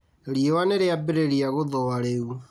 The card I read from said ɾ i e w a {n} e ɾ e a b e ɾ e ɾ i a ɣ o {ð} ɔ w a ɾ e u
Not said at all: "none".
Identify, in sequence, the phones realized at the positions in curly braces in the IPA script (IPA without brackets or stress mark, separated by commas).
n, ð